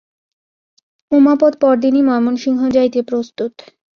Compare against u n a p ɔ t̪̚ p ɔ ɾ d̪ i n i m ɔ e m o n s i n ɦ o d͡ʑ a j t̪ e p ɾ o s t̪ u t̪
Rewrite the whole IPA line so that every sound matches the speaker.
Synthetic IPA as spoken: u m a p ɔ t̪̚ p ɔ ɾ d̪ i n i m ɔ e m o n ʃ i ŋ ɦ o d͡ʑ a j t̪ e p ɾ o s t̪ u t̪

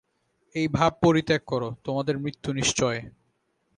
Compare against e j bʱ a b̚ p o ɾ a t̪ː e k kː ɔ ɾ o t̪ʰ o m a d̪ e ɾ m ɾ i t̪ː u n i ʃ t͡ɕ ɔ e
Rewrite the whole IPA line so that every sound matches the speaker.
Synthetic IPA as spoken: e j bʱ a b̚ p o ɾ i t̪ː e k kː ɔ ɾ o t̪ o m a d̪ e ɾ m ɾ i t̪ː u n i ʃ t͡ɕ ɔ e

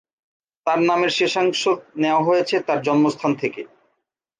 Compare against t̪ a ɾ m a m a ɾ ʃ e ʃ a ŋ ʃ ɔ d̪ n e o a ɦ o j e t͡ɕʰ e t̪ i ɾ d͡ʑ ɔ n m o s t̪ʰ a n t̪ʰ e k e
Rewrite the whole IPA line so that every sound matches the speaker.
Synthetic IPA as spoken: t̪ a ɾ n a m e ɾ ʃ e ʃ a ŋ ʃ o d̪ n e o a ɦ o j e t͡ɕʰ e t̪ a ɾ d͡ʑ ɔ n m o s t̪ʰ a n t̪ʰ e k e

